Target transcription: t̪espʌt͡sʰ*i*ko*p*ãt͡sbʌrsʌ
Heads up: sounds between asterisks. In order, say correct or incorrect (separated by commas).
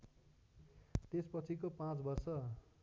correct, correct